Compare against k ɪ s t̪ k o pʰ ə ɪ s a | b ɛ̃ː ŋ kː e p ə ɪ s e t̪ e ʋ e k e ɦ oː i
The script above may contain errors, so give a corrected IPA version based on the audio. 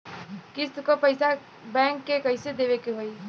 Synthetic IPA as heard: k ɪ s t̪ k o p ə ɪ s a | b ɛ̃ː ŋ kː e k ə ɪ s e d̪ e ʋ e k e ɦ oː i

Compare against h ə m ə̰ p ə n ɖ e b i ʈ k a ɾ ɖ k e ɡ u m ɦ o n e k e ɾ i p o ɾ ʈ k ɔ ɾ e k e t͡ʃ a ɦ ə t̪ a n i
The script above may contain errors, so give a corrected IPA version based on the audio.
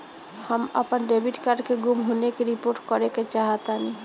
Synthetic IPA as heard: h ə m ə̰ p ə n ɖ e b i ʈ k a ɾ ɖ k e ɡ u m ɦ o n e k e ɾ i p o ɾ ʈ k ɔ ɾ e k e t͡ʃ a ɦ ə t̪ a n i

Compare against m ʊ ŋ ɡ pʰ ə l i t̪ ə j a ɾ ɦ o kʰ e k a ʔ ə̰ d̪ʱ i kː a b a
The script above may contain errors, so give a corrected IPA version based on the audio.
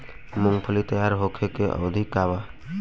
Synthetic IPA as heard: m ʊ ŋ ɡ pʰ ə l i t̪ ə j a ɾ ɦ o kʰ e k e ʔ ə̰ d̪ʱ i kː a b a

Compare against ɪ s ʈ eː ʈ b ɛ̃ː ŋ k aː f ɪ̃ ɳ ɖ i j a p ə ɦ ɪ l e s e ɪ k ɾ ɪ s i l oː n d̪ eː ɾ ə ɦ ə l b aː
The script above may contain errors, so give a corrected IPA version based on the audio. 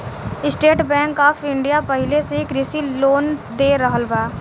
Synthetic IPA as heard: ɪ s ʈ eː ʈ b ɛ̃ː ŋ k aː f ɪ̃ ɳ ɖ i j a p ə ɦ ɪ l e s e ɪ k ɾ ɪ s i l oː n d̪ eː ɾ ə ɦ ə l b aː

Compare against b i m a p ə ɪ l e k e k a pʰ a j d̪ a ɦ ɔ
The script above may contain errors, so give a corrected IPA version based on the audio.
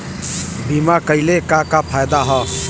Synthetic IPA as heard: b i m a k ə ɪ l e k a k a pʰ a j d̪ a ɦ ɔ

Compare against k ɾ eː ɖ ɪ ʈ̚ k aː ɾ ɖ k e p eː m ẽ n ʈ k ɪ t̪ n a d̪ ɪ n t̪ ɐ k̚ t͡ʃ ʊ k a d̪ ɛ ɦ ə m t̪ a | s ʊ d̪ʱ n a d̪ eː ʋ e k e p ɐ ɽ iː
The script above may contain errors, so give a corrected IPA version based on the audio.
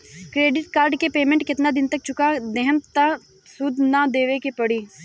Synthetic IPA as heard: k ɾ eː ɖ ɪ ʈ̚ k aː ɾ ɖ k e p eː m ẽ ɳ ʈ k ɪ t̪ n a d̪ ɪ n t̪ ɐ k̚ t͡ʃ ʊ k a d̪ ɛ ɦ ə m t̪ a | s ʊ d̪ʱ n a d̪ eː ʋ e k e p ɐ ɽ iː

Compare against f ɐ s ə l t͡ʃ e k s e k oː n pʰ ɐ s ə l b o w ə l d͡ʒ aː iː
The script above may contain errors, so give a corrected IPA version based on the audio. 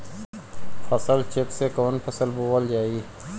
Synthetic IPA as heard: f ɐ s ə l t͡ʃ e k s e k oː n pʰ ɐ s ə l b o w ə l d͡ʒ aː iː

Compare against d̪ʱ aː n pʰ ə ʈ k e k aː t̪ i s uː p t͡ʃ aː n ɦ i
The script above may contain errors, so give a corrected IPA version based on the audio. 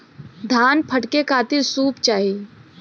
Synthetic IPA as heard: d̪ʱ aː n pʰ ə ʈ k e k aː t̪ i s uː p t͡ʃ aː ɦ i

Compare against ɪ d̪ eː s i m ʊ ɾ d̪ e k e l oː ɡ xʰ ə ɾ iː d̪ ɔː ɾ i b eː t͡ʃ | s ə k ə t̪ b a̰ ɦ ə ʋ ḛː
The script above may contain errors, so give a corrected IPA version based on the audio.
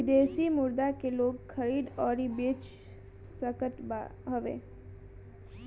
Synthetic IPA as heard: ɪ d̪ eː s i m ʊ ɾ d̪ a k e l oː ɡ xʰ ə ɾ iː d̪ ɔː ɾ i b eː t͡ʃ | s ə k ə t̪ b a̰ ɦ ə ʋ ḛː

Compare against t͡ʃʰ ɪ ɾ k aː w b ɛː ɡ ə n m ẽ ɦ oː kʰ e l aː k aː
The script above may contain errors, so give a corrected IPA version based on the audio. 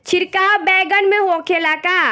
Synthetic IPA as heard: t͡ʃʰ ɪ ɾ k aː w b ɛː ɡ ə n m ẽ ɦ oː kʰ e l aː k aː

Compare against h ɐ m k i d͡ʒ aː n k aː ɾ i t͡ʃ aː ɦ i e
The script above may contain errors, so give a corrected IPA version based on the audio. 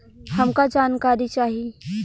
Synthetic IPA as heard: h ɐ m k a d͡ʒ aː n k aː ɾ i t͡ʃ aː ɦ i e

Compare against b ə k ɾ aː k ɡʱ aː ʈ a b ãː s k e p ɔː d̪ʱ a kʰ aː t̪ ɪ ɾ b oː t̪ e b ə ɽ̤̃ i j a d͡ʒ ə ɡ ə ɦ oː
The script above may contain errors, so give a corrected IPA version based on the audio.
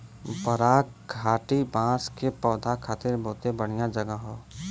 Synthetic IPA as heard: b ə ɾ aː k ɡʱ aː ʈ i b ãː s k e p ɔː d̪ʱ a kʰ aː t̪ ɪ ɾ b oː t̪ e b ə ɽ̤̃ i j a d͡ʒ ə ɡ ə ɦ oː

